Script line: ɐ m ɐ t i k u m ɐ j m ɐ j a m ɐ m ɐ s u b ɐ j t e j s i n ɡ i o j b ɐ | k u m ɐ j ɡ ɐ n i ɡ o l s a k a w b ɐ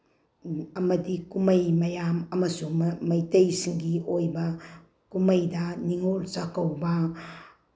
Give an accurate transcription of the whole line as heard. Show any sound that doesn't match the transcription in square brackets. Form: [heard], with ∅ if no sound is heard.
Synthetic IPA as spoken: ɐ m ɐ [d] i k u m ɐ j m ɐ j a m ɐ m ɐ s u [m] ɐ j t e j s i [ŋ] ɡ i o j b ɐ | k u m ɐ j [d] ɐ n i [ŋ] o l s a k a w b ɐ